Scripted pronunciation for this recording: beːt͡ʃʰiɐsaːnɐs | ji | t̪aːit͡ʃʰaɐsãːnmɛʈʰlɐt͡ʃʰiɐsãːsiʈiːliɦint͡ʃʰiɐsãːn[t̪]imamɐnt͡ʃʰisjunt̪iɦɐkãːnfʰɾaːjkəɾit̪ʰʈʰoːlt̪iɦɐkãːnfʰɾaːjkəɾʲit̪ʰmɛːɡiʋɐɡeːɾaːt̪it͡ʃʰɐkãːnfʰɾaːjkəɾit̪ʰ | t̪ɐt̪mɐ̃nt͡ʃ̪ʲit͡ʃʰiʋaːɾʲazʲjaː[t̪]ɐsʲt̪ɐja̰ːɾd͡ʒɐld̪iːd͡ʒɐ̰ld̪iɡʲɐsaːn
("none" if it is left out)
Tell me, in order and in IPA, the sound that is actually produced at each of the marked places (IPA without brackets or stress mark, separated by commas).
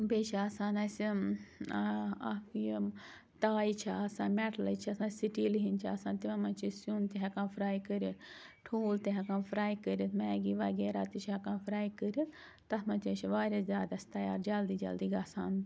t̪, d̪